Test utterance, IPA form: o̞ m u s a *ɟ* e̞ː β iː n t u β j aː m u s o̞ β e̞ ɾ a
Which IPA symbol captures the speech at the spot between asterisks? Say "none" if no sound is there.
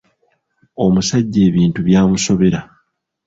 ɟː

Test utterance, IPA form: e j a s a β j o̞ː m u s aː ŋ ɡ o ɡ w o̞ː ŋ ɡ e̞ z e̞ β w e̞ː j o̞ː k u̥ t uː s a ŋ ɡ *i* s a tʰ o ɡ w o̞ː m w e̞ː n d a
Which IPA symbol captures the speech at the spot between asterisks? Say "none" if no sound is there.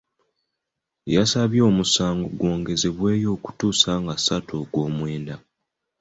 a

